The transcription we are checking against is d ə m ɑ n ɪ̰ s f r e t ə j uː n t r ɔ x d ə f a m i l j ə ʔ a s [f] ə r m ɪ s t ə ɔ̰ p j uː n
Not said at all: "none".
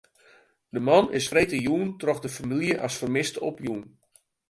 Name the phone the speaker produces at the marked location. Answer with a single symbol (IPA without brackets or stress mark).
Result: f